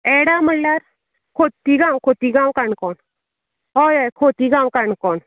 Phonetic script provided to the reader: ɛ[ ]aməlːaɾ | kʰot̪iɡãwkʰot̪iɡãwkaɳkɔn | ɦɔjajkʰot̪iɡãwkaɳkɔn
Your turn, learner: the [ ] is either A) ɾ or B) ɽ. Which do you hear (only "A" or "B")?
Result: B